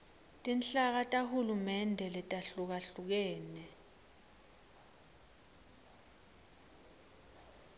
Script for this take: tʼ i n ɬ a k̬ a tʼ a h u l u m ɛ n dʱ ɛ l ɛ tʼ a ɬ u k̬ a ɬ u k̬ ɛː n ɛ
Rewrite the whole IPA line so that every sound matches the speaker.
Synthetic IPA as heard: tʼ i n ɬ a k̬ a tʼ a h u l u m ɛ n dʱ ɛ l ɛ tʼ a ɬ u k̬ a ɬ u k̬ ɛː n ɛ